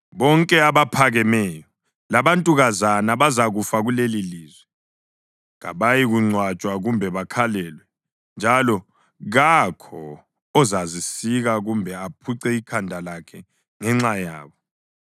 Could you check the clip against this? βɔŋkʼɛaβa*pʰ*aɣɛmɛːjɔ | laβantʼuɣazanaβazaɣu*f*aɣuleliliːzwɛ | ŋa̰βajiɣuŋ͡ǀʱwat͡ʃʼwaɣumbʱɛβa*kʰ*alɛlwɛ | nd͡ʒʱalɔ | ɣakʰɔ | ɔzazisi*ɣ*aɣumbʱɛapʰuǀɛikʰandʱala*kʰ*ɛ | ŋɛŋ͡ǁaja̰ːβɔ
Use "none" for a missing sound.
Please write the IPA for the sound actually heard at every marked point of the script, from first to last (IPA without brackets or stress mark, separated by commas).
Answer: pʰ, f, kʰ, ɣ, kʰ